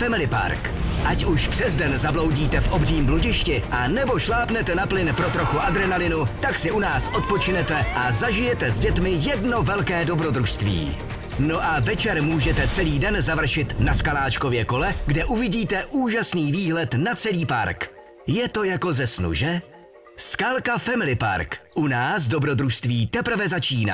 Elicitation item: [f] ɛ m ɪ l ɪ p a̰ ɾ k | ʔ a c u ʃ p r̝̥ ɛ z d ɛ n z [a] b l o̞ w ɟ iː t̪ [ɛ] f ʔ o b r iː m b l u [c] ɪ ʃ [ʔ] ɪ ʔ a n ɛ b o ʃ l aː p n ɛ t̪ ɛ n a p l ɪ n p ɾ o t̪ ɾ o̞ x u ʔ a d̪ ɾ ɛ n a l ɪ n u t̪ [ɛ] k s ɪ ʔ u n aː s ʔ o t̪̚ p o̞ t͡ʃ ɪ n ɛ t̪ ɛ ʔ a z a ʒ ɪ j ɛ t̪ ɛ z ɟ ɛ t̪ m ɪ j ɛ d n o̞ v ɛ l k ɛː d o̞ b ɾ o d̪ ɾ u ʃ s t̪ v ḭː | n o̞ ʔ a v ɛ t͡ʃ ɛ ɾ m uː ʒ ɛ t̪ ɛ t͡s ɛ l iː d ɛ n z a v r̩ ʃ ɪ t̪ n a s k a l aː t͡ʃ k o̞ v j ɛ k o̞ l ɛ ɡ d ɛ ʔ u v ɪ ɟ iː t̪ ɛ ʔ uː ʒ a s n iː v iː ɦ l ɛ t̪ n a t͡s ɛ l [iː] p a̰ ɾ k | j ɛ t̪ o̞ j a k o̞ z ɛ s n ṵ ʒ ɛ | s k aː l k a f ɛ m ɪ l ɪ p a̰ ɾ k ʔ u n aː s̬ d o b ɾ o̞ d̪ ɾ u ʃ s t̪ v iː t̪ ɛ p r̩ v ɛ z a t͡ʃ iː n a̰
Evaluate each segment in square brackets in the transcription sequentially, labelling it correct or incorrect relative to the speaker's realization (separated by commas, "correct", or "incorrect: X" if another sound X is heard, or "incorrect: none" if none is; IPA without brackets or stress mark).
correct, correct, correct, incorrect: ɟ, incorrect: c, incorrect: a, correct